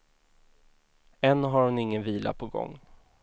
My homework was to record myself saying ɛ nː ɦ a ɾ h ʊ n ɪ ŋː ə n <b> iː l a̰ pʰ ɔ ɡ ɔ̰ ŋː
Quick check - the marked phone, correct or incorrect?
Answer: incorrect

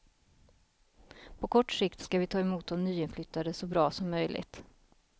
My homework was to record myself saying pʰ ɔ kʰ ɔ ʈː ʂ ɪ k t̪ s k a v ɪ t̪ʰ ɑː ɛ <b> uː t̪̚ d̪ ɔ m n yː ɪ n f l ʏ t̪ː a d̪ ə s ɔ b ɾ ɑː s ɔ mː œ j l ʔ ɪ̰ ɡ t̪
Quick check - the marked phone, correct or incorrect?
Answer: incorrect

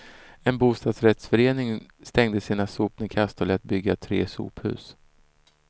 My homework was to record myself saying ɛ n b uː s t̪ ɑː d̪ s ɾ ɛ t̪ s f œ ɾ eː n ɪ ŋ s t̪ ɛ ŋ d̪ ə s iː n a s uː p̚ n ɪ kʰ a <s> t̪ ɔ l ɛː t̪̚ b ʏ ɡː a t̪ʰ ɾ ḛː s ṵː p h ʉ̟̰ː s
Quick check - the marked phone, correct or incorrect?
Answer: correct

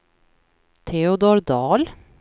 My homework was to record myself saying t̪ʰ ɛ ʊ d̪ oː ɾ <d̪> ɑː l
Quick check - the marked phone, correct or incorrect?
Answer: correct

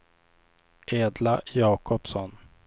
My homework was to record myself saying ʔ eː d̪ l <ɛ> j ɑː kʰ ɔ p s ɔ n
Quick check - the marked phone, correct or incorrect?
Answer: incorrect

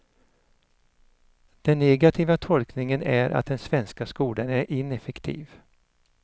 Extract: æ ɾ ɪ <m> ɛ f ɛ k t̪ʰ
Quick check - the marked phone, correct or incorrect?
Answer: incorrect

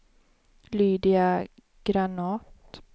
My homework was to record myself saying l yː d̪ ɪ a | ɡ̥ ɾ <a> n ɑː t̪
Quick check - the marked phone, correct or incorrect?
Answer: correct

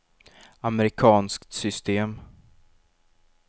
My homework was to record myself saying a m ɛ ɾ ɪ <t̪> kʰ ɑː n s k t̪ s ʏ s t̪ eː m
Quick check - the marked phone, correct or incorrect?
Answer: incorrect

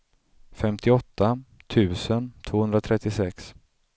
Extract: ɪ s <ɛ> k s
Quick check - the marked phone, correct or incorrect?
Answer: correct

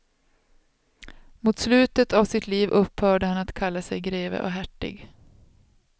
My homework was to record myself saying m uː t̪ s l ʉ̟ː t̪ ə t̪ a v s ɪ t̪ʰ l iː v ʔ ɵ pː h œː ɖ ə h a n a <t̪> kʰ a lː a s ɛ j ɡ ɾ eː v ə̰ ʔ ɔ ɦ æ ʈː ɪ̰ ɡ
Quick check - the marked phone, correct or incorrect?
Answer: correct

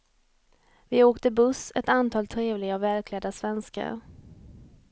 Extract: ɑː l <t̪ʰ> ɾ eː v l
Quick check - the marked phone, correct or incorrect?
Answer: correct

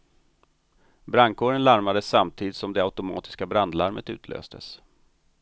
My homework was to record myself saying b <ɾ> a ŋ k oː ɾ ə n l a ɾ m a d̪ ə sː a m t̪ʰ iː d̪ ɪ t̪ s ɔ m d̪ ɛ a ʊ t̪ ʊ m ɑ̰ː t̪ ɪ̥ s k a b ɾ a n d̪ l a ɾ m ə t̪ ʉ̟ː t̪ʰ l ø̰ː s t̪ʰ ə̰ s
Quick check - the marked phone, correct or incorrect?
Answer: correct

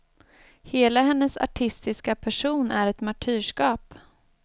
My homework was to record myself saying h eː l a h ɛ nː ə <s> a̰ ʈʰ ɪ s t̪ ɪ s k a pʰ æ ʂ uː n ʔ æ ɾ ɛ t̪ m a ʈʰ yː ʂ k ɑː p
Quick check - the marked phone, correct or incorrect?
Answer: correct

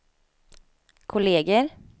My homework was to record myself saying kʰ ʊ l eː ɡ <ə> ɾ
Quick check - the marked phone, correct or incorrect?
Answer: correct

